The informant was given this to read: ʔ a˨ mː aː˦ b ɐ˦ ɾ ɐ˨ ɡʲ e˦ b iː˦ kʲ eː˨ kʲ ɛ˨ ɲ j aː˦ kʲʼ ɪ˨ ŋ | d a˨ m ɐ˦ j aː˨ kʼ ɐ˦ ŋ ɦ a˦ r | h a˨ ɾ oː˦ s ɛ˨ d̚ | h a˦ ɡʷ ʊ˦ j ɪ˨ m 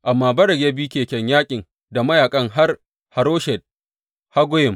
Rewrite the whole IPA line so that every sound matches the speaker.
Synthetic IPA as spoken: ʔ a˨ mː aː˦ b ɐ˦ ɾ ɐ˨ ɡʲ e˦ b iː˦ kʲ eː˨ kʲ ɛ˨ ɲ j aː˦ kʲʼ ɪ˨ ŋ | d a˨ m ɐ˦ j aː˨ kʼ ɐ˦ ŋ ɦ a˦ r | h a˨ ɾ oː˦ ʃ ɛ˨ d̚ | h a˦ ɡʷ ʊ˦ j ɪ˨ m